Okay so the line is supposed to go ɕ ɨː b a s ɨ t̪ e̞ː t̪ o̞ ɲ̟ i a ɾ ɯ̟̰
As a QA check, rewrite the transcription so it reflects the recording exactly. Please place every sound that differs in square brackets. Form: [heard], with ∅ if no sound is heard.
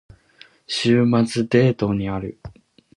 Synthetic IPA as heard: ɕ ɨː [m] a [t͡s] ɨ [d̪] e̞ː t̪ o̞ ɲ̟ i a ɾ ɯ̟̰